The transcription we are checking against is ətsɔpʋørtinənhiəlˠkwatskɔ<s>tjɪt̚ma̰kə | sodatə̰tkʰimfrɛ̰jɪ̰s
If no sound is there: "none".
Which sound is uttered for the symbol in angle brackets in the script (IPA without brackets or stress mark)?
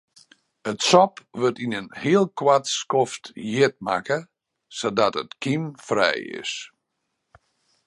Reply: f